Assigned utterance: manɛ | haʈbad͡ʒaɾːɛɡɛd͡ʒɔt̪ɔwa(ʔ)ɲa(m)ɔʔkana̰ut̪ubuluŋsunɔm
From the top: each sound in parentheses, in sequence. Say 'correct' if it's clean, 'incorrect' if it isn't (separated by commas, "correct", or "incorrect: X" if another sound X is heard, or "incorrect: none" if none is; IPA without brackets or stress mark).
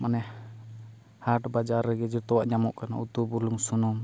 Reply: correct, correct